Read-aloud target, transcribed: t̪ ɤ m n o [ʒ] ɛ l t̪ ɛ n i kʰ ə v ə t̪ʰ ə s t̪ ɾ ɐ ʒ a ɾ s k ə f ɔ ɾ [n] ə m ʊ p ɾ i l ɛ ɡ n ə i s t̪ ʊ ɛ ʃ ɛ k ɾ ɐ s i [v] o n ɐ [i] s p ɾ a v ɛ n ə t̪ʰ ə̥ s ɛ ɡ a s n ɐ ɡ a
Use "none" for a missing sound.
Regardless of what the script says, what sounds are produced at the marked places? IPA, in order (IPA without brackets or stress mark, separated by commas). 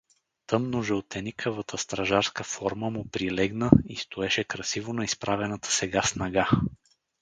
ʒ, m, v, i